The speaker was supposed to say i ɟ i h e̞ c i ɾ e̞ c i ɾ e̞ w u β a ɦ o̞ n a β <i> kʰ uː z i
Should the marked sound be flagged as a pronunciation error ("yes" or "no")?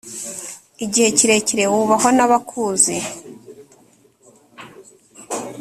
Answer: yes